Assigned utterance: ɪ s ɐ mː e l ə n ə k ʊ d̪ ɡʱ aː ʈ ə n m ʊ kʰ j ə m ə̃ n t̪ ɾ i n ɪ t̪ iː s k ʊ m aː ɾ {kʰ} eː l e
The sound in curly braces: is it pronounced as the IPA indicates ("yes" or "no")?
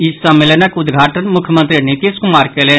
no